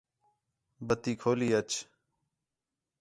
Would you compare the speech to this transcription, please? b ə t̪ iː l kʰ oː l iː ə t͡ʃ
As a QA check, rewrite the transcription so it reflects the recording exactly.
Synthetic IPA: b ə t̪ iː kʰ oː l iː ə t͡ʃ